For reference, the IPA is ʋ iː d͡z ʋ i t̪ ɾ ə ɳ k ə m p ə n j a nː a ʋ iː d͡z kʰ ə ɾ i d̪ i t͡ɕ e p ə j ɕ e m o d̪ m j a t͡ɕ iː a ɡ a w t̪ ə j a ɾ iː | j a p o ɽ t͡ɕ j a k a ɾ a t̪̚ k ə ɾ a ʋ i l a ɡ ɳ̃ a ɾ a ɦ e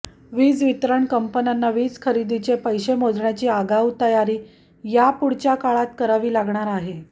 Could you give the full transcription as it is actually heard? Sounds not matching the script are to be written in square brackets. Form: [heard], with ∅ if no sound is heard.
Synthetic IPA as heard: ʋ iː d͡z ʋ i t̪ ɾ ə ɳ k ə m p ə n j a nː a ʋ iː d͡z kʰ ə ɾ i d̪ i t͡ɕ e p ə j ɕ e m o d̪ [ɳ] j a t͡ɕ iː a ɡ a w t̪ ə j a ɾ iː | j a p [u] ɽ t͡ɕ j a k a [ɭ] a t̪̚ k ə ɾ a ʋ [iː] l a ɡ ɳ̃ a ɾ a ɦ e